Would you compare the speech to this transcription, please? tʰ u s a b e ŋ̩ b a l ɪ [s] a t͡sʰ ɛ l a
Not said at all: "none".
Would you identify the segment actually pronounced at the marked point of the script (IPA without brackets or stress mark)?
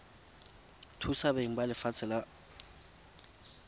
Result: f